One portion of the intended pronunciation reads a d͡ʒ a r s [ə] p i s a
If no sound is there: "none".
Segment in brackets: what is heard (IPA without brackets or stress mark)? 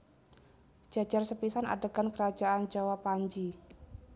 ə